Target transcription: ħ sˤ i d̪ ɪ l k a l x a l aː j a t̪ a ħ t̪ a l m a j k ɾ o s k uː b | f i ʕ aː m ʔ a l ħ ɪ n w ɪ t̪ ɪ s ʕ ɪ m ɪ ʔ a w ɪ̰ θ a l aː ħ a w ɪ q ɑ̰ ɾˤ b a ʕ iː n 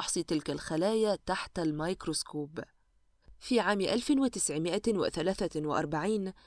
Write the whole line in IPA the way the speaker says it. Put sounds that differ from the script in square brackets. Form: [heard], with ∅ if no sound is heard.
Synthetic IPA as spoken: ħ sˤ i [t̪] ɪ l k a l x a l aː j a t̪ a ħ t̪ a l m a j k ɾ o s k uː b | f i ʕ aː m ʔ a l [f] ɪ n w ɪ t̪ ɪ s ʕ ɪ m ɪ ʔ a w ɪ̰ θ a l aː [θ] a w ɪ [ʔ] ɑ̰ ɾˤ b a ʕ iː n